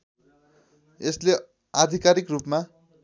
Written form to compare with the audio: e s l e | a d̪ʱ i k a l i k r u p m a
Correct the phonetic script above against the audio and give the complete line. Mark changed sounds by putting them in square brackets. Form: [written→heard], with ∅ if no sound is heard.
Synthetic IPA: e s l e | a d̪ʱ i k a [l→ɾ] i k r u p m a